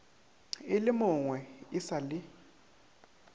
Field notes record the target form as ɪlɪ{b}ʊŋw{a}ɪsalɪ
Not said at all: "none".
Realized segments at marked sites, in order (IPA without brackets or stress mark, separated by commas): m, ɛ